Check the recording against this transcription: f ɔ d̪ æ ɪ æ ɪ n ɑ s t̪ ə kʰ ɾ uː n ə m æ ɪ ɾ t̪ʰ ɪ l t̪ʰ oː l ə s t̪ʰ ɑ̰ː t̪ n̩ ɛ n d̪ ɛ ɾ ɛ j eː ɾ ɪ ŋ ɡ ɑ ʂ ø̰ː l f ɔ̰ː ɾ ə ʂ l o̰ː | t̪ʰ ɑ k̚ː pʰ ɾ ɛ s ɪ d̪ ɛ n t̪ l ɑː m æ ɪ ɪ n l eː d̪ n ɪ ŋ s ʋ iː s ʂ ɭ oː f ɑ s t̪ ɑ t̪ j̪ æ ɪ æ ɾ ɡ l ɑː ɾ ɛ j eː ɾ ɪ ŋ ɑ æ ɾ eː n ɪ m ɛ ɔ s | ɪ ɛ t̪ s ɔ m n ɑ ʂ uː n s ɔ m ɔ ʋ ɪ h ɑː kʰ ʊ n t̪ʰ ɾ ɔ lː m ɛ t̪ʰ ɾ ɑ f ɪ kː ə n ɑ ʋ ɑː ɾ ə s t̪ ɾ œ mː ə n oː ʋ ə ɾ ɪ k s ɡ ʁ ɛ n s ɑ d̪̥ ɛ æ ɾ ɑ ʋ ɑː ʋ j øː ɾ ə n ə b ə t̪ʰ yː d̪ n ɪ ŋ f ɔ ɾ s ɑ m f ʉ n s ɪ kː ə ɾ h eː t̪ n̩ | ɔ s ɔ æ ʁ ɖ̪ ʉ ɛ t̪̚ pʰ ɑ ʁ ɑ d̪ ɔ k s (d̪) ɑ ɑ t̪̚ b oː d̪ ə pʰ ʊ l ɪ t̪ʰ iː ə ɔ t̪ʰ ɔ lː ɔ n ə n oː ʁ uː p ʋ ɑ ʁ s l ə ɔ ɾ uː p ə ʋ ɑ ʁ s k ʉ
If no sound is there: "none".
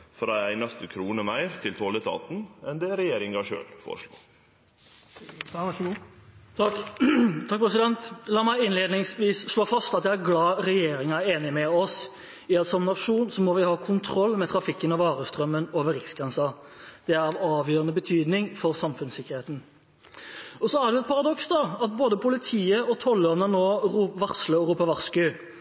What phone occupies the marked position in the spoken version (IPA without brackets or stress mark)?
d̪